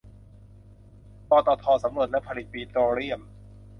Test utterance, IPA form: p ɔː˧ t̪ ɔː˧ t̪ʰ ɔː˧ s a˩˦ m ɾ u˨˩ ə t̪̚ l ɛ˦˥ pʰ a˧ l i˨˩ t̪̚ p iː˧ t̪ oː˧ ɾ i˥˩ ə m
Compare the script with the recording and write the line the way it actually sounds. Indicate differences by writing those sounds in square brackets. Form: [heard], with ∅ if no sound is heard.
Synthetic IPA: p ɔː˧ t̪ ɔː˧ t̪ʰ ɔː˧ s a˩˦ m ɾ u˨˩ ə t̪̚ l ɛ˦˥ pʰ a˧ l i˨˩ t̪̚ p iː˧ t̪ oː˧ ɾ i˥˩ ə m